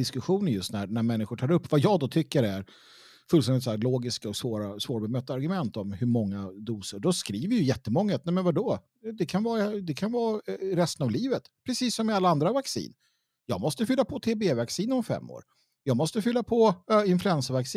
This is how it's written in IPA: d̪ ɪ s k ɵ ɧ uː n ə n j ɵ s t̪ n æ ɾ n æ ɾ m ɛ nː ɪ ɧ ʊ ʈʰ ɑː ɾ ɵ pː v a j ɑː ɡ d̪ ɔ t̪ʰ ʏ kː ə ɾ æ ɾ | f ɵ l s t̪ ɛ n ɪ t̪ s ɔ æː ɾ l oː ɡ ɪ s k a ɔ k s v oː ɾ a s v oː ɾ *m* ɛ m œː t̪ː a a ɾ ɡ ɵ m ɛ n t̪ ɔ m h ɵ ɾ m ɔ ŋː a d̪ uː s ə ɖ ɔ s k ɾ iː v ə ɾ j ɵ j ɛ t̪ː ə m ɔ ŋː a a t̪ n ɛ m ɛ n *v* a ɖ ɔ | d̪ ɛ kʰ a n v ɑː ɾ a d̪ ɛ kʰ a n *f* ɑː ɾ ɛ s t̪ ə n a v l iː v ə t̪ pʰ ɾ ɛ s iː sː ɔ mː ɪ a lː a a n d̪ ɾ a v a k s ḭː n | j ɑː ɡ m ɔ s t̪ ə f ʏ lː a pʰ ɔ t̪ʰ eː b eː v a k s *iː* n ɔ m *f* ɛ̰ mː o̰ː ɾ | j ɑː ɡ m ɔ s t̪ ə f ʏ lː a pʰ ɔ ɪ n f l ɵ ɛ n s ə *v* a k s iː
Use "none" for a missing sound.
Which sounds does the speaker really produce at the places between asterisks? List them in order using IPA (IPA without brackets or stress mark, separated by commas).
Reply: b, v, v, iː, f, v